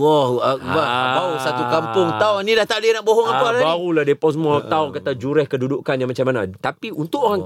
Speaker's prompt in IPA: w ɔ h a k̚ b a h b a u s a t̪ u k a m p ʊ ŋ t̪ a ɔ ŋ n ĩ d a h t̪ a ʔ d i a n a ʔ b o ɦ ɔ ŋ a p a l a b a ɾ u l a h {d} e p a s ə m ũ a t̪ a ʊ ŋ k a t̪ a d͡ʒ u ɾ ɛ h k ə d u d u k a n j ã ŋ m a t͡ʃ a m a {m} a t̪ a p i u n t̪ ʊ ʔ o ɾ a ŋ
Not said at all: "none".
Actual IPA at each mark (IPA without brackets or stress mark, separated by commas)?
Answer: d, n